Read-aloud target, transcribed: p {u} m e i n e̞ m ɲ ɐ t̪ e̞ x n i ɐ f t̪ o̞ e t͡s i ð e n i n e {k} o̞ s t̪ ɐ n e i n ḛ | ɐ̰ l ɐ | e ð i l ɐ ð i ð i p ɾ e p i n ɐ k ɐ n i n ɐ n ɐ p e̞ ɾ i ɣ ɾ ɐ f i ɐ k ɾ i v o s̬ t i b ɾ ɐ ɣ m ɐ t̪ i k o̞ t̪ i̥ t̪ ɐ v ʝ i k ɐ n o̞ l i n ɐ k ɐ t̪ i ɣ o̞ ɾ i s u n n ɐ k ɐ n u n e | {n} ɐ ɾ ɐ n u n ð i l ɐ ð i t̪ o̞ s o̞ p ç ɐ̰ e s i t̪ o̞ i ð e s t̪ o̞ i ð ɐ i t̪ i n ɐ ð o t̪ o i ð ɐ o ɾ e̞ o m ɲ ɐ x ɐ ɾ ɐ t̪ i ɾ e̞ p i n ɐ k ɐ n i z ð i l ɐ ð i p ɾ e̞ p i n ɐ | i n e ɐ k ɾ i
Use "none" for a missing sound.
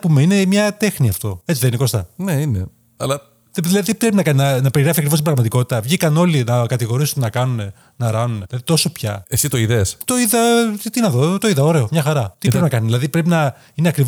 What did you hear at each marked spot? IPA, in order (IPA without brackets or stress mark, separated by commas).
u, k, n